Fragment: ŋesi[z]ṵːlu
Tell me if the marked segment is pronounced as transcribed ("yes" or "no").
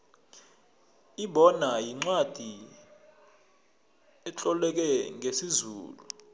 yes